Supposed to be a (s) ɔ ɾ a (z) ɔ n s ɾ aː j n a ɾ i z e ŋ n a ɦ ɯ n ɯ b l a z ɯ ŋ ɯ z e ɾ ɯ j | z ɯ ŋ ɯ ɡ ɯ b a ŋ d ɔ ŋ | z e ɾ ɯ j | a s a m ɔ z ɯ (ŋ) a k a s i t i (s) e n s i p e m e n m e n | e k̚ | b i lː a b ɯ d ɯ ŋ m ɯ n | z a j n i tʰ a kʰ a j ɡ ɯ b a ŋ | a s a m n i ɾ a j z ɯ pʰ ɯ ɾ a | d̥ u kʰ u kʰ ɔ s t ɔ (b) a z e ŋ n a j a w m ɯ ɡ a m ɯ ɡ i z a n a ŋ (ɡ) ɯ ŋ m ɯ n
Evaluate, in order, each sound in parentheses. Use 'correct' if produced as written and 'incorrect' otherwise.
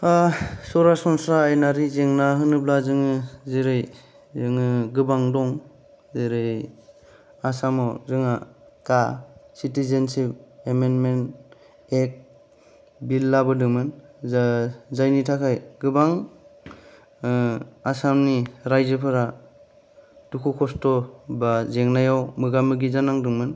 correct, incorrect: s, correct, incorrect: z, correct, incorrect: d

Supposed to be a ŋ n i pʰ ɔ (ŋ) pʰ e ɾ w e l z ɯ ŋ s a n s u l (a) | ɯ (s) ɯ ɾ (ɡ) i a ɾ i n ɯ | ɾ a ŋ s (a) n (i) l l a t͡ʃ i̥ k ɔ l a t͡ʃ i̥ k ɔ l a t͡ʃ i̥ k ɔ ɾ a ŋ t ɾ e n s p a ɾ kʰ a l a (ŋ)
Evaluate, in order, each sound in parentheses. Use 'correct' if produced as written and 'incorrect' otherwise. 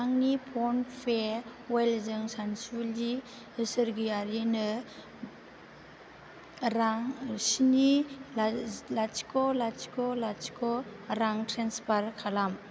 incorrect: n, incorrect: i, correct, correct, incorrect: i, correct, incorrect: m

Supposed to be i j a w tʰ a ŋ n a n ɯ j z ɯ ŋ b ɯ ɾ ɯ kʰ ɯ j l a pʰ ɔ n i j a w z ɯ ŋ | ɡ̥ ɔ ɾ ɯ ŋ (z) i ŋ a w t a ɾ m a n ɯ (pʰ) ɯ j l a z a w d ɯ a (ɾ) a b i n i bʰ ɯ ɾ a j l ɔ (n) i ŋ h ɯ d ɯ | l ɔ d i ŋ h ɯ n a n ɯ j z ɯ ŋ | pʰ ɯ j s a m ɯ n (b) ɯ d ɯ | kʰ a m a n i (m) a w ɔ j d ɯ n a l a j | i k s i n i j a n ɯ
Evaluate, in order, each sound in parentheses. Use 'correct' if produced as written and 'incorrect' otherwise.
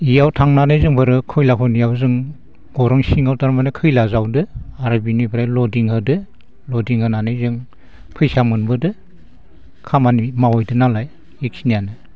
incorrect: s, incorrect: kʰ, correct, incorrect: d, correct, correct

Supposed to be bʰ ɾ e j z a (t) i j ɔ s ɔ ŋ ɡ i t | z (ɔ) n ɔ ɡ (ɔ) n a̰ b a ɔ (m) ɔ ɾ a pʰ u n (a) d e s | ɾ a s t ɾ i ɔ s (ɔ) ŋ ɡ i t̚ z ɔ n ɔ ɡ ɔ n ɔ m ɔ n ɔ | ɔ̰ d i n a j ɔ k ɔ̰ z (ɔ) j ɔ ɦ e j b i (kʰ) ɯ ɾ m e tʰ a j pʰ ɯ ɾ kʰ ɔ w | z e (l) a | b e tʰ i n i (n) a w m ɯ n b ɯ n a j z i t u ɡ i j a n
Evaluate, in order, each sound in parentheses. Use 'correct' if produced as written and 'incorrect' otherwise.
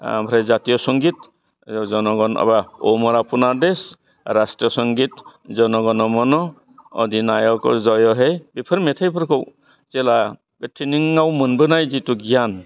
correct, correct, correct, correct, correct, correct, correct, incorrect: pʰ, correct, incorrect: ŋ

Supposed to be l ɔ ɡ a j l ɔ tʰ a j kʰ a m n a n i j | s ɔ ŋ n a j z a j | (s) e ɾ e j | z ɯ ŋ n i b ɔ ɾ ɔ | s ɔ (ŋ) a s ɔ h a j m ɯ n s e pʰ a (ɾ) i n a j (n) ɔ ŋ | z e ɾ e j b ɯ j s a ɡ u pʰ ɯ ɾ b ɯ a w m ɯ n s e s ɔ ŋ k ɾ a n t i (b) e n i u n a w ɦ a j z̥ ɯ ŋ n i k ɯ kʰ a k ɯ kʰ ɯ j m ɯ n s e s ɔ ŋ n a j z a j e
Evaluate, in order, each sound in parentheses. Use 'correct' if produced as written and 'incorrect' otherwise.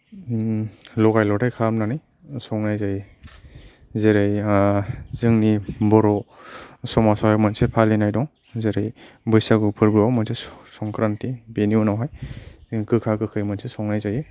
incorrect: z, incorrect: m, incorrect: l, incorrect: d, correct

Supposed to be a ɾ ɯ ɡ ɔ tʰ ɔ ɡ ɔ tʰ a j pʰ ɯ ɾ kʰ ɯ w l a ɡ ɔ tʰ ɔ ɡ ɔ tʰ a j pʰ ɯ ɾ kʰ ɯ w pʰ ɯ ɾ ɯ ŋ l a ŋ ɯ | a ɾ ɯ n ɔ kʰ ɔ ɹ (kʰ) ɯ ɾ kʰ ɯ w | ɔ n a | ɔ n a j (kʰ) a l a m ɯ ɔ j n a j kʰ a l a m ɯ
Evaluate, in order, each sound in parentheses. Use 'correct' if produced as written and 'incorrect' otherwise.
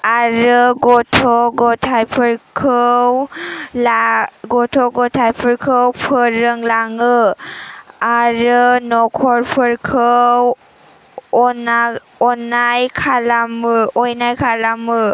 incorrect: pʰ, correct

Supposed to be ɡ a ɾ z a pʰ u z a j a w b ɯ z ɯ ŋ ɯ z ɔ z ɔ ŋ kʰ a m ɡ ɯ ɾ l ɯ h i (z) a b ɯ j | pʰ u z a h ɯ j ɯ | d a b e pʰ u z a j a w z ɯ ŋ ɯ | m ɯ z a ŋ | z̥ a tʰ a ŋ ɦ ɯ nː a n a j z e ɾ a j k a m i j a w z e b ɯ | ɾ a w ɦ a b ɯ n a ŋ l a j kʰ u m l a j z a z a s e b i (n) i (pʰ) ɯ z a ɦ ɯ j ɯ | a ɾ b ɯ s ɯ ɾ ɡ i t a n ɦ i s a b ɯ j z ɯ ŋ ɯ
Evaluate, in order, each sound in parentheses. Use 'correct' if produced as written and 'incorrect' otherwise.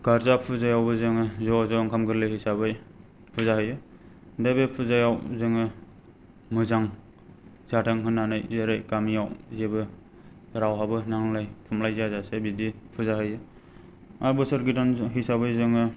incorrect: s, incorrect: d, correct

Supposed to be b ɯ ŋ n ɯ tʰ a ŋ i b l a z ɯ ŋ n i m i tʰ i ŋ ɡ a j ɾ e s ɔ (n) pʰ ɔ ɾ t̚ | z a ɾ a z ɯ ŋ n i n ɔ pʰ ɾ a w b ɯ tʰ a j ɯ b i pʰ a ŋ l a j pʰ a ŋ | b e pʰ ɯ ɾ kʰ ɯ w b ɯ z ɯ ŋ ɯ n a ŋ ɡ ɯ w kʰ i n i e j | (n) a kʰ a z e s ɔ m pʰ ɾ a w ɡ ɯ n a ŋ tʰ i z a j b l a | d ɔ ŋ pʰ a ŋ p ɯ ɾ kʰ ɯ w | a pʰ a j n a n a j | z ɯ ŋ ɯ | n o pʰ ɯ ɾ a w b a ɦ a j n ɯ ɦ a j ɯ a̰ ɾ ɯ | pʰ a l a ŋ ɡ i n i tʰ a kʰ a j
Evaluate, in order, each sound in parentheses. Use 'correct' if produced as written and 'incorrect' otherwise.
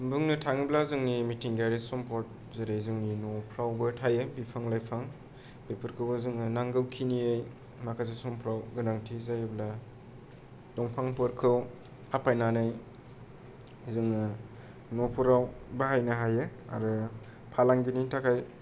incorrect: m, incorrect: m

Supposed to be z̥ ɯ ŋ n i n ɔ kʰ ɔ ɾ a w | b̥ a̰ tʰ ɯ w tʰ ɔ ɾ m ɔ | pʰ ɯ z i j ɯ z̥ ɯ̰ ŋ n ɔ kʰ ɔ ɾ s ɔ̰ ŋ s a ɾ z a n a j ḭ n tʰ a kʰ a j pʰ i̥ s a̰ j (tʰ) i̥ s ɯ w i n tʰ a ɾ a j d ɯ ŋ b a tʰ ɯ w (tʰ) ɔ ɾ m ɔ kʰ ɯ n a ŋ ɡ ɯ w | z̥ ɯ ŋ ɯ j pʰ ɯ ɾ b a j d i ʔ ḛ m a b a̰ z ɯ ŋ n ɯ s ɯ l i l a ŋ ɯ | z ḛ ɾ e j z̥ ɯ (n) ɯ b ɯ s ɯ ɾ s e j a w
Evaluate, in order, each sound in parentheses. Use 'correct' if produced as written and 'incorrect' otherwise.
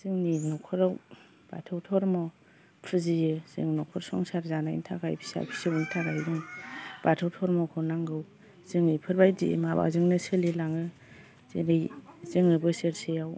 incorrect: pʰ, correct, incorrect: ŋ

